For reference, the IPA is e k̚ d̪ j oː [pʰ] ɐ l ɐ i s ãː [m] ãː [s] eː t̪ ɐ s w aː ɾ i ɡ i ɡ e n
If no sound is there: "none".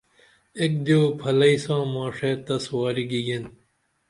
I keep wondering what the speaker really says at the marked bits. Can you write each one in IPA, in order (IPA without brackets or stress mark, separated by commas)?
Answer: pʰ, m, ʂ